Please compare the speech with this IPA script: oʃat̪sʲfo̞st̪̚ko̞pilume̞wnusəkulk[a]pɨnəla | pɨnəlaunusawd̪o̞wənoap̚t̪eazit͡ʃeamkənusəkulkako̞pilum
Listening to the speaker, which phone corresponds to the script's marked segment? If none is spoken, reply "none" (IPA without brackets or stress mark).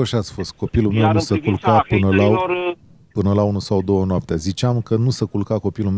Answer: a